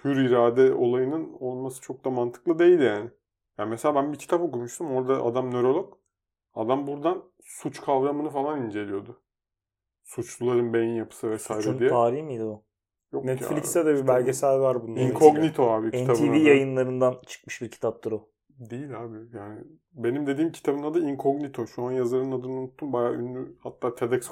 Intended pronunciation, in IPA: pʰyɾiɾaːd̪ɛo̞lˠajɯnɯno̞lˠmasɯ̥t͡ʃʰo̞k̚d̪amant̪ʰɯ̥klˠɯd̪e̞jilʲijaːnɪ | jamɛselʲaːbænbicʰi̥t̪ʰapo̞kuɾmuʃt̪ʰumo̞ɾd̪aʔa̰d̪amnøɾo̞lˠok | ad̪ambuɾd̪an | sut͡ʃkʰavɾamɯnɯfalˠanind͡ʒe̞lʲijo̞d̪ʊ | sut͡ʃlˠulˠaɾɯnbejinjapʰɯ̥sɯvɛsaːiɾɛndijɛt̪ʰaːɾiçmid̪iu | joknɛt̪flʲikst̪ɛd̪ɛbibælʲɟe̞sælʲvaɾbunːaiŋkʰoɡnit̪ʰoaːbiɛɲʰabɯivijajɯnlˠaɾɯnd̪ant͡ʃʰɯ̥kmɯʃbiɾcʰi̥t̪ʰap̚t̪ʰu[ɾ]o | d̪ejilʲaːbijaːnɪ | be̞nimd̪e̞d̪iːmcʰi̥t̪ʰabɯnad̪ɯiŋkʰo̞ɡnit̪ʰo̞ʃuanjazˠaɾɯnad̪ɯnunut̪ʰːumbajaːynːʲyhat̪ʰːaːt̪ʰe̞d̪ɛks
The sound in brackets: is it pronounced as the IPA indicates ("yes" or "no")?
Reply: yes